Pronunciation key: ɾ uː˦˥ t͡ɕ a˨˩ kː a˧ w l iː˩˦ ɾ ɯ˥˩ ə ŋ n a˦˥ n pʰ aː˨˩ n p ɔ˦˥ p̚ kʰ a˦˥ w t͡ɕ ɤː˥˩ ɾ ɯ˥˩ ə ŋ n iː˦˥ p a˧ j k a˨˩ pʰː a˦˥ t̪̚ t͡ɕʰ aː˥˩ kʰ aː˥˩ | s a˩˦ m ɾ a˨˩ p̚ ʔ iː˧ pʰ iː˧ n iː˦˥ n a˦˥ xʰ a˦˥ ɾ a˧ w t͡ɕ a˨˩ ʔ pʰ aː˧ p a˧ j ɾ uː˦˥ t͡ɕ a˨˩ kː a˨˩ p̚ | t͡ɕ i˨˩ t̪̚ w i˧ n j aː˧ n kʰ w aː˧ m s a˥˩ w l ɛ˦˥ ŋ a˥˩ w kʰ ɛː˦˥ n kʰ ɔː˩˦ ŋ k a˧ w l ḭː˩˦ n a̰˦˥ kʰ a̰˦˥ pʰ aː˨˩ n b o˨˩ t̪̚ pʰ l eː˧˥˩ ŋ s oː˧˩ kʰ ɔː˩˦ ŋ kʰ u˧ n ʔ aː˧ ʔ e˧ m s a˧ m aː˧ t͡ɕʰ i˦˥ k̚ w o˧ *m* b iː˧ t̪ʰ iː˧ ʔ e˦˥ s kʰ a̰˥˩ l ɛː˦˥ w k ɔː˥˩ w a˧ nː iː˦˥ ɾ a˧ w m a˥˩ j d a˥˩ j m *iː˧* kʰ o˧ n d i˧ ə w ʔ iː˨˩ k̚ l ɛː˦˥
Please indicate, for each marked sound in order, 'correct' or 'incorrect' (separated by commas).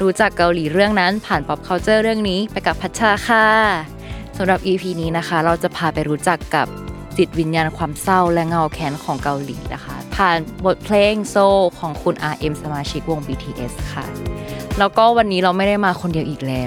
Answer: incorrect, incorrect